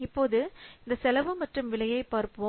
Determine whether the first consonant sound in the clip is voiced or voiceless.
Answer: voiceless